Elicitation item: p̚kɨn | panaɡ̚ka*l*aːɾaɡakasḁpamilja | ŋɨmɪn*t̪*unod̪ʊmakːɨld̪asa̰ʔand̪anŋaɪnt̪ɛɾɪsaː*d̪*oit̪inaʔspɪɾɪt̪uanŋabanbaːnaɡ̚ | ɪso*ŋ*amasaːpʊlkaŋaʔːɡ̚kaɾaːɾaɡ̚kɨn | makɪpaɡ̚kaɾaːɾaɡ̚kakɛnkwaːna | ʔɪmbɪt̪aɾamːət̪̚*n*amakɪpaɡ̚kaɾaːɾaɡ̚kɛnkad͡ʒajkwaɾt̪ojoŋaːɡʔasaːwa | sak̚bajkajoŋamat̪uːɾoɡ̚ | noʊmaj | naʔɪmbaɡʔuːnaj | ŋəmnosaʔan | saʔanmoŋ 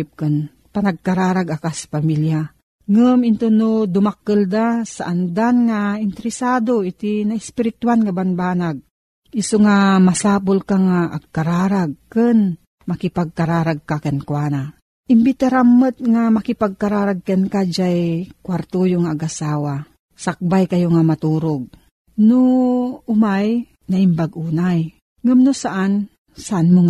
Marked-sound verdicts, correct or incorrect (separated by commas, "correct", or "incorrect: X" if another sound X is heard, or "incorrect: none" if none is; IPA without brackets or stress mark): incorrect: ɾ, correct, correct, correct, incorrect: ŋ